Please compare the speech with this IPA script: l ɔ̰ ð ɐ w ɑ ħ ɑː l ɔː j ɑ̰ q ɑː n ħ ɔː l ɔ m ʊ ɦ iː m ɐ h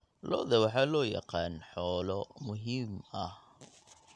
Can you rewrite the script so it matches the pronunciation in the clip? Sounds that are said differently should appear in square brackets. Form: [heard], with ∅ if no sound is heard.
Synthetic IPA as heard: l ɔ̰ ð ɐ w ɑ ħ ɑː l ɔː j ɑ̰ q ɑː n ħ ɔː l ɔ m ʊ ɦ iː m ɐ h